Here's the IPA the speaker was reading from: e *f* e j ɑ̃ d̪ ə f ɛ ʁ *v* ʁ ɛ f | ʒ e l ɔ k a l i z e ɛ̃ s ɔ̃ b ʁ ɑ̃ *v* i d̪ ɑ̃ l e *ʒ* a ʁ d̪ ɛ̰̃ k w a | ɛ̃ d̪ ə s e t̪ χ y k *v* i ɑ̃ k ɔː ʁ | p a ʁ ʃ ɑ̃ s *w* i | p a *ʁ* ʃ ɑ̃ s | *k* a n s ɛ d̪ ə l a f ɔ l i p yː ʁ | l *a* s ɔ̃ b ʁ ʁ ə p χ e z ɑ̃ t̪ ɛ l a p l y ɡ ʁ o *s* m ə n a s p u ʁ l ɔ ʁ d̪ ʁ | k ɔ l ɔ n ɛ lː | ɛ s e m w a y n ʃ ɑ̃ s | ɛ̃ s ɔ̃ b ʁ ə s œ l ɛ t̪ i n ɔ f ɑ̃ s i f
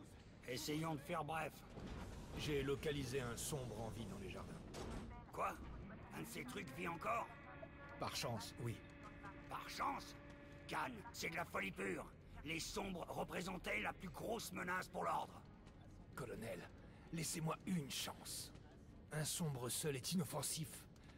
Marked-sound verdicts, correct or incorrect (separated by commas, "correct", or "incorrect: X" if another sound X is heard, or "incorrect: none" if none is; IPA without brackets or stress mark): incorrect: s, incorrect: b, correct, correct, correct, correct, correct, correct, incorrect: e, correct